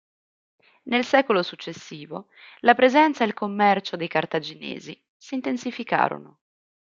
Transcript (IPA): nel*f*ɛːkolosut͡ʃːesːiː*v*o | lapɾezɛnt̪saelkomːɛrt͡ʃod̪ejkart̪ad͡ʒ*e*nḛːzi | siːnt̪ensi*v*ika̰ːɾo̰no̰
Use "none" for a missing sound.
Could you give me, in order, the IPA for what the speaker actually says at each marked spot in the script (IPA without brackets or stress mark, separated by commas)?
s, v, i, f